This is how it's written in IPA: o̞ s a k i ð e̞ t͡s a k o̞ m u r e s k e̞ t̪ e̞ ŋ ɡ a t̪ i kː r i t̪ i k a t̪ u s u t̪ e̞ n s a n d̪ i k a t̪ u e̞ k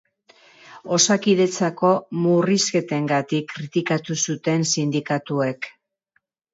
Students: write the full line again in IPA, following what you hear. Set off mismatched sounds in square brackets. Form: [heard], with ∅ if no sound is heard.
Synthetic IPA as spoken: o̞ s a k i ð e̞ t͡s a k o̞ m u r [i] s k e̞ t̪ e̞ ŋ ɡ a t̪ i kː [ɾ] i t̪ i k a t̪ u s u t̪ e̞ n s [i] n d̪ i k a t̪ u e̞ k